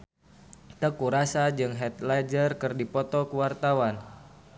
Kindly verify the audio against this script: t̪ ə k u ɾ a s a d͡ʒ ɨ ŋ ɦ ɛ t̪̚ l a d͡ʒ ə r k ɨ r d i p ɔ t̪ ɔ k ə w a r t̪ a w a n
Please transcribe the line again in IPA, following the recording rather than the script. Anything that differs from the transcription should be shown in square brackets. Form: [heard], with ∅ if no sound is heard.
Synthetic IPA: t̪ ə k u ɾ a s a d͡ʒ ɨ ŋ ɦ ɛ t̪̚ l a d͡ʒ ə r k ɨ r d i p ɔ t̪ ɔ k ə w a r t̪ a w a n